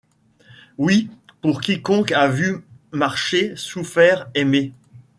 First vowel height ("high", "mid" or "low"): high